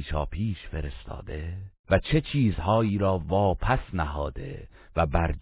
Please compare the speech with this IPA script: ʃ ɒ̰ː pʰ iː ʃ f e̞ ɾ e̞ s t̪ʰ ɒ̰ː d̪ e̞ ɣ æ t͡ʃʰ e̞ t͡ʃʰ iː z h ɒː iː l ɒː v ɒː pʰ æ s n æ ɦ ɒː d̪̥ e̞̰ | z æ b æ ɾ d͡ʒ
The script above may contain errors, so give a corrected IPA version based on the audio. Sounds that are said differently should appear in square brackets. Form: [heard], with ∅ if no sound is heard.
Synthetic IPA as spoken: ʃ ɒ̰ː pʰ iː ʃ f e̞ ɾ e̞ s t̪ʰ ɒ̰ː d̪ e̞ [v] æ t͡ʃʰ e̞ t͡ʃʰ iː z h ɒː iː [ɾ] ɒː v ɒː pʰ æ s n æ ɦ ɒː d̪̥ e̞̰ | [v] æ b æ ɾ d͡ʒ